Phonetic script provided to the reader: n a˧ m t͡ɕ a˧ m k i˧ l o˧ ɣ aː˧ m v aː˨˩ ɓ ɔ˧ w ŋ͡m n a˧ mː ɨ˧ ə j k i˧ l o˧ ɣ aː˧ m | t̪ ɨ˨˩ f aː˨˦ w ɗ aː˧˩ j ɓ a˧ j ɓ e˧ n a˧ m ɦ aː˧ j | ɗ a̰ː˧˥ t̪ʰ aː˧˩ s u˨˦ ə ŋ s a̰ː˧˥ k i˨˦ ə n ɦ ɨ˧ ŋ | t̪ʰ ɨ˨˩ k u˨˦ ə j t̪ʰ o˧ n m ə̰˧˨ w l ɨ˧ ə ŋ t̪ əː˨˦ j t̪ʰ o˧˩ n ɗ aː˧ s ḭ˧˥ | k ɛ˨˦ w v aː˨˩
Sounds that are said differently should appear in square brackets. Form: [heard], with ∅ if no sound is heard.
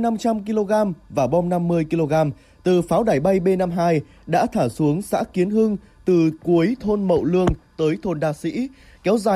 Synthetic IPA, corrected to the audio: n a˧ m t͡ɕ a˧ m k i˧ l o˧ ɣ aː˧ m v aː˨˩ ɓ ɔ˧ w ŋ͡m n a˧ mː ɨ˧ ə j k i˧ l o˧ ɣ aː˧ m | t̪ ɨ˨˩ f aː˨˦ w ɗ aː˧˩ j ɓ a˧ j ɓ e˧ n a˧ m ɦ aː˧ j | ɗ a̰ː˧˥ t̪ʰ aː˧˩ s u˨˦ ə ŋ s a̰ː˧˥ k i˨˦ ə n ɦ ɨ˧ ŋ | [t̪] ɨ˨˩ k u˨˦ ə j t̪ʰ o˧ n m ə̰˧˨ w l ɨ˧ ə ŋ t̪ əː˨˦ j t̪ʰ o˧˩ n ɗ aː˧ s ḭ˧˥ | k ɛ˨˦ w [z] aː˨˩